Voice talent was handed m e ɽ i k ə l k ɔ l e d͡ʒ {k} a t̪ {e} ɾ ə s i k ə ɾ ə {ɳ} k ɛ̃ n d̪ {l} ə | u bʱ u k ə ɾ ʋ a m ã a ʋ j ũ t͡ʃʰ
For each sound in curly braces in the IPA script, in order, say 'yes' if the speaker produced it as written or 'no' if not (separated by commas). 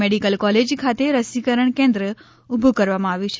no, yes, yes, no